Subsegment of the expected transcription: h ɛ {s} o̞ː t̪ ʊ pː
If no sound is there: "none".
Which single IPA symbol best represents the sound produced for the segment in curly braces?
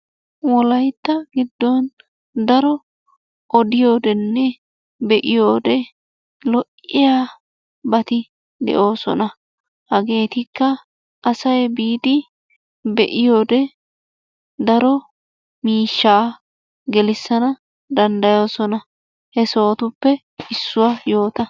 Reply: s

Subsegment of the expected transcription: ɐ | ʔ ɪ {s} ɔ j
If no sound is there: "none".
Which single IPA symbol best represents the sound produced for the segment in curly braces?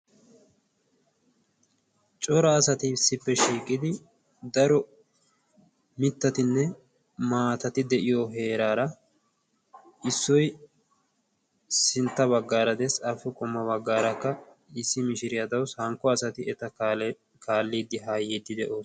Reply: sː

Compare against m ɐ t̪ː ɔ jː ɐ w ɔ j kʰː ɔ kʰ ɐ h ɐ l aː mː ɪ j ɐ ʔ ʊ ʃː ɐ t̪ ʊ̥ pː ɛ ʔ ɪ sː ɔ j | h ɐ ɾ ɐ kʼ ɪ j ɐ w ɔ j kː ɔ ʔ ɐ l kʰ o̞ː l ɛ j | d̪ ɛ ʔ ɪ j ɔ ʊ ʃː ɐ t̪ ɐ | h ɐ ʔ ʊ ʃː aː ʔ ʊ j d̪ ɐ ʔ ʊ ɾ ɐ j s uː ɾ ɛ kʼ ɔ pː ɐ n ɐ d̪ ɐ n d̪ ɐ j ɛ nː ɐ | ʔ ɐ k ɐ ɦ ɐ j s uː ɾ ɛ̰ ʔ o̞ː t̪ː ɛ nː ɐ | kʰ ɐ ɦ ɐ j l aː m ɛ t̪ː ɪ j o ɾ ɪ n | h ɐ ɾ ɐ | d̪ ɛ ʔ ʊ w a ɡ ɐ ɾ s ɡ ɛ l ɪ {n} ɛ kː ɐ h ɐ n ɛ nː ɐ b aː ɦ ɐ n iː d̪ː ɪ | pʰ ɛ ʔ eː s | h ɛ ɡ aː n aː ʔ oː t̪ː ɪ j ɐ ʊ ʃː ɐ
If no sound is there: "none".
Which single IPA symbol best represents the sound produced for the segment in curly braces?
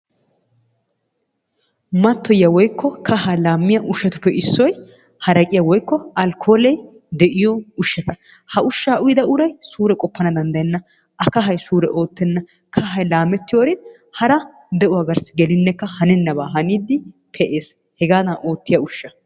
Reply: nː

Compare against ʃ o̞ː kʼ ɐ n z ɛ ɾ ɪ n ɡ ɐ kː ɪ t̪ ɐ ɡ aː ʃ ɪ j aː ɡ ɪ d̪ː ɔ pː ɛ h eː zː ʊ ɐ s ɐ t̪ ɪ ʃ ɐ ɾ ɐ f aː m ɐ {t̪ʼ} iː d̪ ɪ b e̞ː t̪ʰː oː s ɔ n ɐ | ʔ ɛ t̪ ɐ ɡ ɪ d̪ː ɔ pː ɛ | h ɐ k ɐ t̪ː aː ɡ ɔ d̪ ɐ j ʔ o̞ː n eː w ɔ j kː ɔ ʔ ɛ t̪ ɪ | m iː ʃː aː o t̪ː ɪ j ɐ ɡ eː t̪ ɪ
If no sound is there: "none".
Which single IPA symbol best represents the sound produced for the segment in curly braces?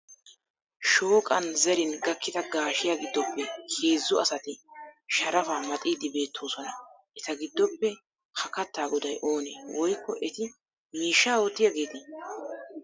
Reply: t̪ʼ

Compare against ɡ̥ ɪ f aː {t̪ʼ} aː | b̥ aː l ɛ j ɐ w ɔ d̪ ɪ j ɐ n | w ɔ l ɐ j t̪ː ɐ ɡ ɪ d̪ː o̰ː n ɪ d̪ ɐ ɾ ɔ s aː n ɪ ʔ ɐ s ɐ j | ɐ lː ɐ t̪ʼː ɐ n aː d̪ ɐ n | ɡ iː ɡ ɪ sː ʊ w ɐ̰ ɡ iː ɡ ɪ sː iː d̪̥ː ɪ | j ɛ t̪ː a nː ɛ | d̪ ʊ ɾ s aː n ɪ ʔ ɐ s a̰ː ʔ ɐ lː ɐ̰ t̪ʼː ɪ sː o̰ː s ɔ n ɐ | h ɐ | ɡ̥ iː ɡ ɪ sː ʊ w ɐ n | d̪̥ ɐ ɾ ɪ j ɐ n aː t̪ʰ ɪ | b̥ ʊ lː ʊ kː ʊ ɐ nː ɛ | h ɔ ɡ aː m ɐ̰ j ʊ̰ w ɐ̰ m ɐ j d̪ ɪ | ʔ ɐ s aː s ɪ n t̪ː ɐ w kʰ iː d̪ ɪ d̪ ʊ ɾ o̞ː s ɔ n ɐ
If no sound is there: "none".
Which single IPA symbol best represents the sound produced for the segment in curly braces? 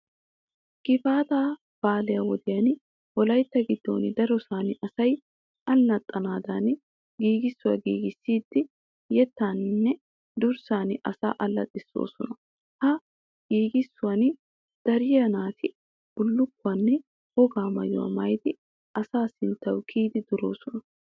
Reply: t̪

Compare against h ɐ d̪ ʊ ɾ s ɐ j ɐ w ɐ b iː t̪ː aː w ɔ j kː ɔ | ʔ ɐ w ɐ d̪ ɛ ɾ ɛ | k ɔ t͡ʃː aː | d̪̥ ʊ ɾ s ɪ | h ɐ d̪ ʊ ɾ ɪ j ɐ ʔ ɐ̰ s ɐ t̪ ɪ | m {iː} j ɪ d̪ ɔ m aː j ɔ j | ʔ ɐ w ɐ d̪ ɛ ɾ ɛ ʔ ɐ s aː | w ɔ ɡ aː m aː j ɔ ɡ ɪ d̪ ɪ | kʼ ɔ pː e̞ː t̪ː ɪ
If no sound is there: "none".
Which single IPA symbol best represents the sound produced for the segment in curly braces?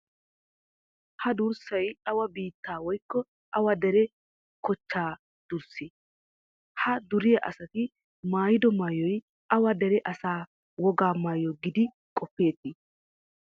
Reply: aː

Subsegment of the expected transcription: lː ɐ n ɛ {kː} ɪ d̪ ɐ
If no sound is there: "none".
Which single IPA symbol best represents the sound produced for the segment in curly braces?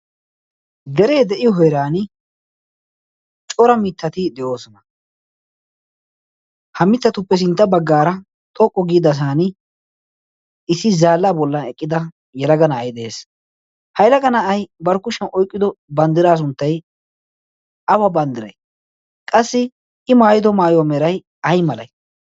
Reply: kʼː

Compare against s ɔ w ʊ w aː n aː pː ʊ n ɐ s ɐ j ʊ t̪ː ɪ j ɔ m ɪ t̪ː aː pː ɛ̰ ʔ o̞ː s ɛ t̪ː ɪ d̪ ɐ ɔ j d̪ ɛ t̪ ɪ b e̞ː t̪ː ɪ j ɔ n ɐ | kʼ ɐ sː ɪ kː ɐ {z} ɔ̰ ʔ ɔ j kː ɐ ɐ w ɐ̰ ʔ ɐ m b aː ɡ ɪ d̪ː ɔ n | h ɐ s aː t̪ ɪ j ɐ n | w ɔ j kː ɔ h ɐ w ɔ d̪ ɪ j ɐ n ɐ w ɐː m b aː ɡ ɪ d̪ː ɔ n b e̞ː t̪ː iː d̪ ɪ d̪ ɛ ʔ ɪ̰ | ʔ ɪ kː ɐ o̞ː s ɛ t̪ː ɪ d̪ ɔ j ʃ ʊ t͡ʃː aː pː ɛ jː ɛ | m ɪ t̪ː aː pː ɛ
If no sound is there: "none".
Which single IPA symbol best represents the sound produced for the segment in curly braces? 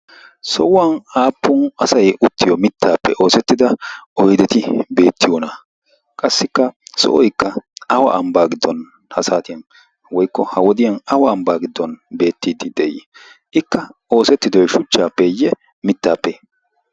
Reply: s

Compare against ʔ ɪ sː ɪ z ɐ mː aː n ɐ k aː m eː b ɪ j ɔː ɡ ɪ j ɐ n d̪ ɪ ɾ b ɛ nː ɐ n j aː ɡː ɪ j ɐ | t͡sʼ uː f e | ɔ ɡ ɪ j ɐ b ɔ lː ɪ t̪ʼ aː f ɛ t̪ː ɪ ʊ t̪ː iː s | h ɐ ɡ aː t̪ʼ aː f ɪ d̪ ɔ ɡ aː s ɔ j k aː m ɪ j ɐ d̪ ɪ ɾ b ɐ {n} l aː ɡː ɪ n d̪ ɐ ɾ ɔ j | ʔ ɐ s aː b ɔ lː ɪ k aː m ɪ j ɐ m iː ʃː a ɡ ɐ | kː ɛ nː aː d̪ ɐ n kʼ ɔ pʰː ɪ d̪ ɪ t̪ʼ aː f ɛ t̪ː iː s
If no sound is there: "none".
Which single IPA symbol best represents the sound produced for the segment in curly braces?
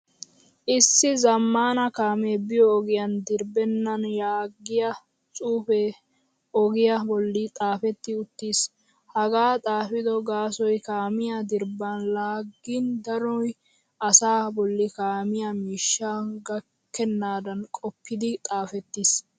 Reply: n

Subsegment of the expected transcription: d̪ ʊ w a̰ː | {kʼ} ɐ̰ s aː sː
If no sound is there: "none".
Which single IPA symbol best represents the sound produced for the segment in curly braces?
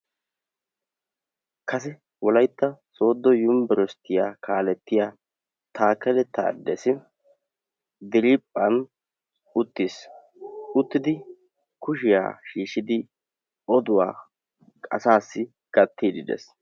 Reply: kʼ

